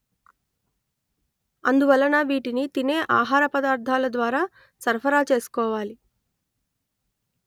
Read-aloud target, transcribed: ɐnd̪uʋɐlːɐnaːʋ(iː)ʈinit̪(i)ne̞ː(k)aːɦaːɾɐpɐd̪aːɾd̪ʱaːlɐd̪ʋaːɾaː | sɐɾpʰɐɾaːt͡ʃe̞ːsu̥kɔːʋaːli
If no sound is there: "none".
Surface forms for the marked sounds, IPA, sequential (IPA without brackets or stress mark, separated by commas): iː, i, ʔ